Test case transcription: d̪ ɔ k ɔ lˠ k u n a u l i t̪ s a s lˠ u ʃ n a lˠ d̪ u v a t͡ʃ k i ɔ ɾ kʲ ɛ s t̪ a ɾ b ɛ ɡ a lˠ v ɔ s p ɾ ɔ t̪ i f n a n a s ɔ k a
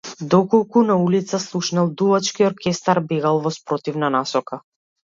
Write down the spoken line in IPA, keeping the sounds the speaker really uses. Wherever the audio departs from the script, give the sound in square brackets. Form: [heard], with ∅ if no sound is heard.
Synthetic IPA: d̪ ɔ k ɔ lˠ k u n a u l i t̪ s a s lˠ u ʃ n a lˠ d̪ u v a t͡ʃ k i ɔ ɾ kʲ ɛ s t̪ a ɾ b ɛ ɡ a lˠ v ɔ s p ɾ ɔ t̪ i [v] n a n a s ɔ k a